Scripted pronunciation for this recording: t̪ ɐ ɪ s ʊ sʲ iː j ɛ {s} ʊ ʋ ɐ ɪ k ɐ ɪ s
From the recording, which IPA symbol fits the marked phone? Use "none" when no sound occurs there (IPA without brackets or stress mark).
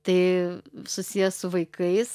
s